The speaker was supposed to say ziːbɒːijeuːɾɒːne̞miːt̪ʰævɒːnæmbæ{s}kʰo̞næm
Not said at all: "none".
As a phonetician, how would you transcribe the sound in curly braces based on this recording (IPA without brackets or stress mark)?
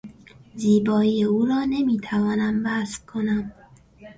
s